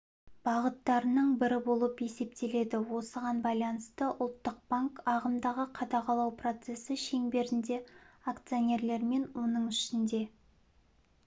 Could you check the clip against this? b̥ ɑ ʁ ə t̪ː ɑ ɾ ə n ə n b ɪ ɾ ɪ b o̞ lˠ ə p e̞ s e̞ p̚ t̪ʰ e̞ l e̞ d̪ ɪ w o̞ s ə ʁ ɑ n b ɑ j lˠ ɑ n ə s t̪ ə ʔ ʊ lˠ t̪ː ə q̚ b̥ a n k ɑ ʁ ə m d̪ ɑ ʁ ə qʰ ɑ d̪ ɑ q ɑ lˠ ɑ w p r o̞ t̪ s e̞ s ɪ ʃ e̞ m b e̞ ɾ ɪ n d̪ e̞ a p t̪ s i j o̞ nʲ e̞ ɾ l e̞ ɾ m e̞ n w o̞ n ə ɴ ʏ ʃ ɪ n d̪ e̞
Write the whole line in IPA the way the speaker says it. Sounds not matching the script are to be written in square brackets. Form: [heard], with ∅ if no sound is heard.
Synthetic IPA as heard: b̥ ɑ ʁ ə t̪ː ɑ ɾ ə n ə [ɴ] b ɪ ɾ ɪ b o̞ lˠ ə p e̞ s e̞ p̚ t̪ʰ e̞ l e̞ d̪ ɪ w o̞ s ə ʁ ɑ n b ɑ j lˠ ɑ n ə s t̪ ə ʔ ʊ lˠ t̪ː ə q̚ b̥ a [ŋ] k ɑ ʁ ə m d̪ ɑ ʁ ə qʰ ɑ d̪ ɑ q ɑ lˠ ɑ w p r o̞ t̪ s e̞ s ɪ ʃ e̞ [ŋ] b e̞ ɾ ɪ n d̪ e̞ a [k] t̪ s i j o̞ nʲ e̞ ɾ l e̞ ɾ m e̞ n w o̞ n ə ɴ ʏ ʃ ɪ n d̪ e̞